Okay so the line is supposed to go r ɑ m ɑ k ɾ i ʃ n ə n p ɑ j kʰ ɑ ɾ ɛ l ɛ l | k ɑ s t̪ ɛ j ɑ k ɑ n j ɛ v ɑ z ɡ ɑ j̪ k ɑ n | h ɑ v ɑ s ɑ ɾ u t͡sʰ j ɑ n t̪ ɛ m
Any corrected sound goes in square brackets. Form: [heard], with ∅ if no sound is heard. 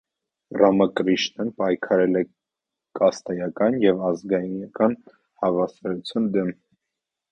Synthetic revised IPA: r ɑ m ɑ k ɾ i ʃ n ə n p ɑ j kʰ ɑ ɾ ɛ l ɛ [∅] | k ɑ s t̪ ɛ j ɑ k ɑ n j ɛ v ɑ z ɡ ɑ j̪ k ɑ n | h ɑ v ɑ s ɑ ɾ u t͡sʰ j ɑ n [d̪] ɛ m

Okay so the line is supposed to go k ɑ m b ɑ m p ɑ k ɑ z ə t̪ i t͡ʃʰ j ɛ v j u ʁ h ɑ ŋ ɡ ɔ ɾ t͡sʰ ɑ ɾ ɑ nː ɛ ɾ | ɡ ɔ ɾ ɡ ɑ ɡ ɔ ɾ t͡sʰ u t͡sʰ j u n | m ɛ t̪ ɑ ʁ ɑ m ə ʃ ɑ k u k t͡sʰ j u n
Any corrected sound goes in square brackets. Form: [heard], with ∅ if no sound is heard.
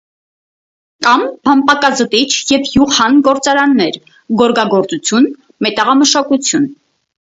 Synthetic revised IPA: k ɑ m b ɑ m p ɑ k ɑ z ə t̪ i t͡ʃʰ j ɛ v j u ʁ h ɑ [n] ɡ ɔ ɾ [t͡s] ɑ ɾ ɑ nː ɛ ɾ | ɡ ɔ ɾ ɡ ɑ ɡ ɔ ɾ [t͡s] u t͡sʰ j u n | m ɛ t̪ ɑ ʁ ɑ m ə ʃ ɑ k u [∅] t͡sʰ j u n

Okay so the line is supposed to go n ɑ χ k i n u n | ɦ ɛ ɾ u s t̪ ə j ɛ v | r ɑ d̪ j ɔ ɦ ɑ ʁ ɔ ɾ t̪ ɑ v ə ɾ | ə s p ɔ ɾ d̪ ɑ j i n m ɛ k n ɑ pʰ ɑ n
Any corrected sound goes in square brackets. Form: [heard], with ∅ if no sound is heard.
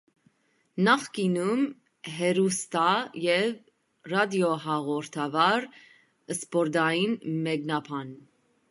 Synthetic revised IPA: n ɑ χ k i n u [m] | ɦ ɛ ɾ u s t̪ [ɑ] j ɛ v | r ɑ d̪ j ɔ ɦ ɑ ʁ ɔ ɾ [t̪ʰ] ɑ v [ɑ] ɾ | ə s p ɔ ɾ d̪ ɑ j i n m ɛ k n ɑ pʰ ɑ n

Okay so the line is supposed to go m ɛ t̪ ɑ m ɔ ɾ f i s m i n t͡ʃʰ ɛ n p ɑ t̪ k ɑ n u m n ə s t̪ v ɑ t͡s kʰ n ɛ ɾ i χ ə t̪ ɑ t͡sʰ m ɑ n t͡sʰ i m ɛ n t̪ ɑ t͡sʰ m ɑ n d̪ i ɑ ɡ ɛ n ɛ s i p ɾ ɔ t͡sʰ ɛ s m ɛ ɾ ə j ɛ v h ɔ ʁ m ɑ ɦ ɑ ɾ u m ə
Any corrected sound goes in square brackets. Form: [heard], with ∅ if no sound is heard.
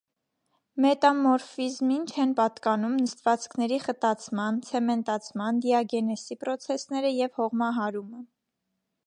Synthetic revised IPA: m ɛ t̪ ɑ m ɔ ɾ f i [z] m i n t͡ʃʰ ɛ n p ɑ t̪ k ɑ n u m n ə s t̪ v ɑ t͡s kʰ n ɛ ɾ i χ ə t̪ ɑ t͡sʰ m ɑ n t͡sʰ [ɛ] m ɛ n t̪ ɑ t͡sʰ m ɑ n d̪ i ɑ ɡ ɛ n ɛ s i p ɾ ɔ t͡sʰ ɛ s [n] ɛ ɾ ə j ɛ v h ɔ ʁ m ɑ ɦ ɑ ɾ u m ə

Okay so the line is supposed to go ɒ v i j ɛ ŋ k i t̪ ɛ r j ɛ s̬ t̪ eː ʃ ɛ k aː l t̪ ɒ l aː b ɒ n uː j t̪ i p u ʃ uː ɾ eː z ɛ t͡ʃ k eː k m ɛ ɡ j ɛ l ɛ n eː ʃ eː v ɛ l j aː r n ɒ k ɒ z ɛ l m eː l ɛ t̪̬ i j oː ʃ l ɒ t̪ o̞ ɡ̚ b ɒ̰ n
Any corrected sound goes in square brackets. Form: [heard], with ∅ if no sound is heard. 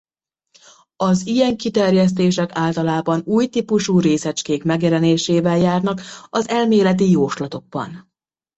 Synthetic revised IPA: ɒ [z] i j ɛ ŋ k i t̪ ɛ r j ɛ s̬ t̪ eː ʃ ɛ k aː l t̪ ɒ l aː b ɒ n uː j t̪ i p u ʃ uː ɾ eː [s] ɛ t͡ʃ k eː k m ɛ ɡ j ɛ l ɛ n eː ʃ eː v ɛ l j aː r n ɒ k ɒ z ɛ l m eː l ɛ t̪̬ i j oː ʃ l ɒ t̪ o̞ ɡ̚ b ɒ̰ n

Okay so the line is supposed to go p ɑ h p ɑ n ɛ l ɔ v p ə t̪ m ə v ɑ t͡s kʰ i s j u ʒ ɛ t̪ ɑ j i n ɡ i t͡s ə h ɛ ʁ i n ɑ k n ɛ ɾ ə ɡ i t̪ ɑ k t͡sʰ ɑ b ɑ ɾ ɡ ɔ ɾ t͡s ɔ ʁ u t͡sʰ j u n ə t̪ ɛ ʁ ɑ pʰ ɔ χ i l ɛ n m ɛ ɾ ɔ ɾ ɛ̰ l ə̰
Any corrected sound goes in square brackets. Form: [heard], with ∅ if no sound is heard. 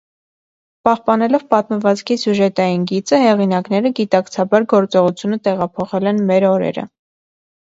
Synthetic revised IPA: p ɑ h p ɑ n ɛ l ɔ v p [ɑ] t̪ m ə v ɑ t͡s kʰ i s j u ʒ ɛ t̪ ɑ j i n ɡ i t͡s ə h ɛ ʁ i n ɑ k n ɛ ɾ ə ɡ i t̪ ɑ k t͡sʰ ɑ b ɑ ɾ ɡ ɔ ɾ t͡s ɔ ʁ u t͡sʰ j u n ə t̪ ɛ ʁ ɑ pʰ ɔ χ [ɛ] l ɛ n m ɛ ɾ ɔ ɾ ɛ̰ [ɾ] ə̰

